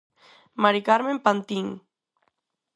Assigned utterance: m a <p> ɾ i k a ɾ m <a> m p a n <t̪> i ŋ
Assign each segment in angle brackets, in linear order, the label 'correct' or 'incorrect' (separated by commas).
incorrect, incorrect, correct